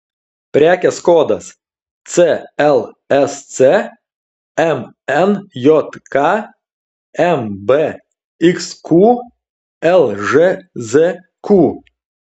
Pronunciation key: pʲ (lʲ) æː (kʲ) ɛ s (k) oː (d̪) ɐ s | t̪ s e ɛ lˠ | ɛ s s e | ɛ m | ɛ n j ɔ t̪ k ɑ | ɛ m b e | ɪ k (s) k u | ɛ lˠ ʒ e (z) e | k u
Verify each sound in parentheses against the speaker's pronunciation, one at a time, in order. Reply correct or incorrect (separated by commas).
incorrect, correct, correct, correct, correct, correct